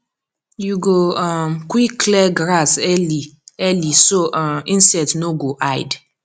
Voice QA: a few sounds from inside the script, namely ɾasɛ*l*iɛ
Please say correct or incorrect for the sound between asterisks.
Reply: correct